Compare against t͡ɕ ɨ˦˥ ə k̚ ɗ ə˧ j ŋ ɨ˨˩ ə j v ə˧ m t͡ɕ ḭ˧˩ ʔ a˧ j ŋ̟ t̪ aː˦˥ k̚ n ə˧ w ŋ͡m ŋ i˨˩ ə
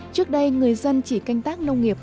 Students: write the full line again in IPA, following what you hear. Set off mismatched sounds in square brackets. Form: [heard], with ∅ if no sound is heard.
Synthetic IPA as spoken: t͡ɕ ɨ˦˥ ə k̚ ɗ ə˧ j ŋ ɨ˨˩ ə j [z] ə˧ [n] t͡ɕ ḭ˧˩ [k] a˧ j ŋ̟ t̪ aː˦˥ k̚ n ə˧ w ŋ͡m ŋ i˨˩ ə